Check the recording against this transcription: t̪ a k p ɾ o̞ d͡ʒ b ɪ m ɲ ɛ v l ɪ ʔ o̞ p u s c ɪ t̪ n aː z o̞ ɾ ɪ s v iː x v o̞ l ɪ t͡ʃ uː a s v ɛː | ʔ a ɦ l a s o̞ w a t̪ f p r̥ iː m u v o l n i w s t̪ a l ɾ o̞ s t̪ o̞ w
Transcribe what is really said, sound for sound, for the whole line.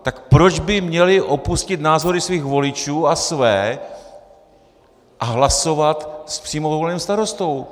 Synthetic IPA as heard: t̪ a k p ɾ o̞ d͡ʒ b ɪ m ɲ ɛ l ɪ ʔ o̞ p u s c ɪ t̪ n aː z o̞ ɾ ɪ s v iː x v o̞ l ɪ t͡ʃ uː a s v ɛː | ʔ a ɦ l a s o̞ v a t̪ s p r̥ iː m o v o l n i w s t̪ a ɾ o̞ s t̪ o̞ w

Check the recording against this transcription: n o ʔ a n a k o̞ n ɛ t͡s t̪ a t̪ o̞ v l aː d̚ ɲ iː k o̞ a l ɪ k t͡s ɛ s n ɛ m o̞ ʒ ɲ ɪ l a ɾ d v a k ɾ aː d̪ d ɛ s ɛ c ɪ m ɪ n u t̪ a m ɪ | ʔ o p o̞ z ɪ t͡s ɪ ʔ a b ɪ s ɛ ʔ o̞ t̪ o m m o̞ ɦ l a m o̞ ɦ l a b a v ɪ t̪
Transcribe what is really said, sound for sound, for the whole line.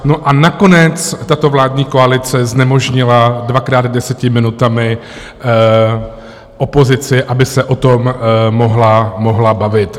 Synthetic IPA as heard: n o ʔ a n a k o̞ n ɛ t͡s t̪ a t̪ o̞ v l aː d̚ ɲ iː k o̞ a l ɪ t͡s ɛ z n ɛ m o̞ ʒ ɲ ɪ l a d v a k ɾ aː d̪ d ɛ s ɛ c ɪ m ɪ n u t̪ a m ɪ | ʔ o p o̞ z ɪ t͡s ɪ ʔ a b ɪ s ɛ ʔ o̞ t̪ o m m o̞ ɦ l a m o̞ ɦ l a b a v ɪ t̪

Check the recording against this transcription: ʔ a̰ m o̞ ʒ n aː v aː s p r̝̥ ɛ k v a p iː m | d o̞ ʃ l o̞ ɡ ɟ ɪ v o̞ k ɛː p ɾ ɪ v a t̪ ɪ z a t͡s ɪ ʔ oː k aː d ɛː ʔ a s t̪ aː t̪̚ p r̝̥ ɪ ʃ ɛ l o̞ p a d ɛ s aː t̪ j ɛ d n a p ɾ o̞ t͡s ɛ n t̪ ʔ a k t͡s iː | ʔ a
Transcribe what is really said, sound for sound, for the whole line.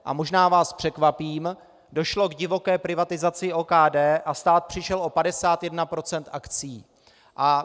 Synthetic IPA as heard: ʔ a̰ m o̞ ʒ n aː v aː s p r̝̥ ɛ k v a p iː m | d o̞ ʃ l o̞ ɡ ɟ ɪ v o̞ k ɛː p ɾ ɪ v a t̪ ɪ z a t͡s ɪ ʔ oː k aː d ɛː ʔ a s t̪ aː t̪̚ p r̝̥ ɪ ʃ ɛ l o̞ p a d ɛ s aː t̪ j ɛ d n a p ɾ o̞ t͡s ɛ n t̪ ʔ a k t͡s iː | ʔ a

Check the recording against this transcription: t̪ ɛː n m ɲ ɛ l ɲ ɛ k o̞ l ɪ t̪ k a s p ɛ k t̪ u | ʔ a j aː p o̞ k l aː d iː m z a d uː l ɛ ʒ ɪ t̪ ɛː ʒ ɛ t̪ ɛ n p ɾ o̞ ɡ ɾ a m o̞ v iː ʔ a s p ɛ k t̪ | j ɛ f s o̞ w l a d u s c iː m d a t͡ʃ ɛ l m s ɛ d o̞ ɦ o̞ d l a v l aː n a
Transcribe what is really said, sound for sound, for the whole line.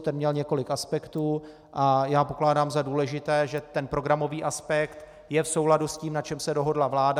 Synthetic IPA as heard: t̪ ɛ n m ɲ ɛ l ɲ ɛ k o̞ l ɪ k a s p ɛ k t̪ uː | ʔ a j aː p o̞ k l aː d aː m z a d uː l ɛ ʒ ɪ t̪ ɛː ʒ ɛ t̪ ɛ n p ɾ o̞ ɡ ɾ a m o̞ v iː ʔ a s p ɛ k t̪ | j ɛ f s o̞ w l a d u s c iː m n a t͡ʃ ɛ m s ɛ d o̞ ɦ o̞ d l a v l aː d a

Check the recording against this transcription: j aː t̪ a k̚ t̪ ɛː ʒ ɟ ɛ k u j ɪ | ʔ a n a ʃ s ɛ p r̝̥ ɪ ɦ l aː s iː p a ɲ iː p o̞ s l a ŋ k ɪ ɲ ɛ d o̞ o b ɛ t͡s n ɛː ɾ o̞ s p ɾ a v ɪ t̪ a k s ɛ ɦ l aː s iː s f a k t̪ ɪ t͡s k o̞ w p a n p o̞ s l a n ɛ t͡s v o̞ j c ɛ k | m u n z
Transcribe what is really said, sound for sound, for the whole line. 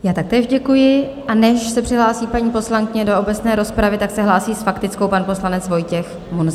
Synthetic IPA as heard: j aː t̪ a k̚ t̪ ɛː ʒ ɟ ɛ k u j ɪ | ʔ a n ɛ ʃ s ɛ p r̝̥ ɪ ɦ l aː s iː p a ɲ iː p o̞ s l a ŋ k ɪ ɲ ɛ d o̞ o b ɛ t͡s n ɛː ɾ o̞ s p ɾ a v ɪ t̪ a k s ɛ ɦ l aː s iː s f a k t̪ ɪ t͡s k o̞ w p a n p o̞ s l a n ɛ t͡s v o̞ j c ɛ x | m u n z

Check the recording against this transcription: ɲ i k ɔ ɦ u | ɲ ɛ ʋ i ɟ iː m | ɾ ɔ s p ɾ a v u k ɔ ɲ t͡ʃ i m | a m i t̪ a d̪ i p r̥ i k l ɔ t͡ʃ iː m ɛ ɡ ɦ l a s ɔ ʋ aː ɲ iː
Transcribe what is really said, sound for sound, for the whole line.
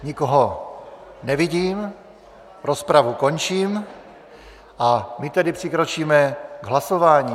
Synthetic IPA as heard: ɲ i k ɔ ɦ ɔ | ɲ ɛ ʋ i ɟ iː m | ɾ ɔ s p ɾ a ʋ u k ɔ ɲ t͡ʃ iː m | a m i t̪ ɛ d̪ i p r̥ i k ɾ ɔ t͡ʃ iː m ɛ ɡ ɦ l a s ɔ ʋ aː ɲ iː

